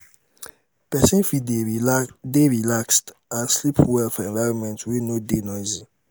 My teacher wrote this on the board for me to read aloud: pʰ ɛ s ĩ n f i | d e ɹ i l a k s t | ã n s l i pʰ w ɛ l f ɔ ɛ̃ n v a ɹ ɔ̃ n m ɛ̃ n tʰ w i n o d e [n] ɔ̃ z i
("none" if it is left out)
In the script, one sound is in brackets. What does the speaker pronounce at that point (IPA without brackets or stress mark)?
n